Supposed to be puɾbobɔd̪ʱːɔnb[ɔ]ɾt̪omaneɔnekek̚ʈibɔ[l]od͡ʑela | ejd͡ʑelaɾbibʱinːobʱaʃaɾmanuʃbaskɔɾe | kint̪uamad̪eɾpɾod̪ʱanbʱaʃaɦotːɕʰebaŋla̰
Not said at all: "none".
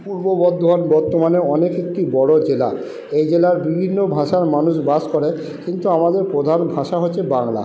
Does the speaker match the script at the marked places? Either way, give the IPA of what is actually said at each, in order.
ɔ, ɽ

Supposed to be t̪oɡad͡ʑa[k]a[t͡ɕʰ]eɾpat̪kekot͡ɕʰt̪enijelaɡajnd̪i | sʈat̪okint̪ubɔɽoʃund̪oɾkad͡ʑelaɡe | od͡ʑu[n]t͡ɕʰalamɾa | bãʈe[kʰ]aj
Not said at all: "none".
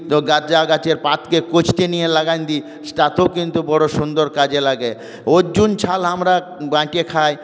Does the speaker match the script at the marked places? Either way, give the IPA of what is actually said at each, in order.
ɡ, t͡ɕ, n, kʰ

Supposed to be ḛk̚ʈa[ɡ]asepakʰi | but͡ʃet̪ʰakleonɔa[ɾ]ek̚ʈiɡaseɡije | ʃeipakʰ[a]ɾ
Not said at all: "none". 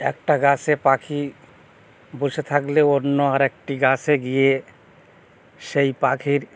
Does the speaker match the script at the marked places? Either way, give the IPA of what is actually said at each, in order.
ɡ, ɾ, i

